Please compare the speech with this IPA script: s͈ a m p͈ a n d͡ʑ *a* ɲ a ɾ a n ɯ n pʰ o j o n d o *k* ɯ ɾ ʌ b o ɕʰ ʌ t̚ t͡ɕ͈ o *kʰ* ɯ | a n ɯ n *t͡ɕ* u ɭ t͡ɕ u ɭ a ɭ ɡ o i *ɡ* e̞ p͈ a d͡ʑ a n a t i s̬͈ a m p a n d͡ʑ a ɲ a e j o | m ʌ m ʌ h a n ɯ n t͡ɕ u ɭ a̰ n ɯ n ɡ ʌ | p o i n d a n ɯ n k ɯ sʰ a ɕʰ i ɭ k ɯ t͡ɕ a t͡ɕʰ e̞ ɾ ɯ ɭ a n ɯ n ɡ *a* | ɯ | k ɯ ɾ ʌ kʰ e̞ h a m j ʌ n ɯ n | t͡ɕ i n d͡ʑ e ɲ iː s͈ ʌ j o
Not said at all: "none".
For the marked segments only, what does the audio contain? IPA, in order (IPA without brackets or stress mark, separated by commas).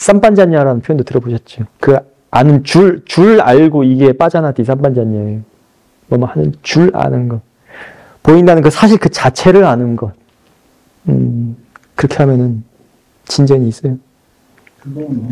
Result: a, t, k, t͡ɕ, ɡ, ʌ